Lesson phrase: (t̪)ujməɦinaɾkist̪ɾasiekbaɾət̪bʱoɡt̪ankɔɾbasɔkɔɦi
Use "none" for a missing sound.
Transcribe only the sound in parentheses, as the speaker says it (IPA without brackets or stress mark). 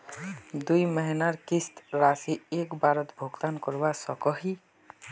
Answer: d̪